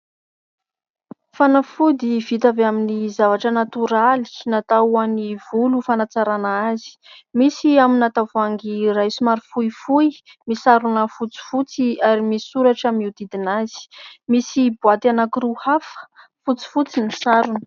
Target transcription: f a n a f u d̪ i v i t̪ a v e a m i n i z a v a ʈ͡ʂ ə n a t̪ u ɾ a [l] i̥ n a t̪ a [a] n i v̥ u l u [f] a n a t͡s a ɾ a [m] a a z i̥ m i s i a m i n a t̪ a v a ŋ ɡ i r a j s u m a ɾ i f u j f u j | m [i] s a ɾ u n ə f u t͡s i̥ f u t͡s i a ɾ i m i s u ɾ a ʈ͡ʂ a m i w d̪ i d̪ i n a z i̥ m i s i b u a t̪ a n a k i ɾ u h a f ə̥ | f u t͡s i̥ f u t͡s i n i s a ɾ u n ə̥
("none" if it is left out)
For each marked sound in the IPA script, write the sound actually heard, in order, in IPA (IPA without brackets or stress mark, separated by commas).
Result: l, a, f, n, i